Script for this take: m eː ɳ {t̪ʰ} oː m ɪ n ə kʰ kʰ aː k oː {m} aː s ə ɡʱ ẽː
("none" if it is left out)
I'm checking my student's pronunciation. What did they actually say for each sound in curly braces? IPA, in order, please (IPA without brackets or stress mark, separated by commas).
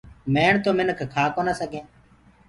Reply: t̪, n